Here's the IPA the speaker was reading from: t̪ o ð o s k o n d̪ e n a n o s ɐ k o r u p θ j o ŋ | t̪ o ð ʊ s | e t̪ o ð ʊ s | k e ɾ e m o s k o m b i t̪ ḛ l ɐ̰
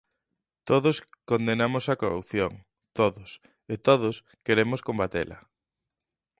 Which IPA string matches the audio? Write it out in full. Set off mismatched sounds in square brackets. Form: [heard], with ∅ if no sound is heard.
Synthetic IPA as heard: t̪ o ð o s k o n d̪ e n a [m] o s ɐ k o r u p θ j o ŋ | t̪ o ð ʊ s | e t̪ o ð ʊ s | k e ɾ e m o s k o m b [a] t̪ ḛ l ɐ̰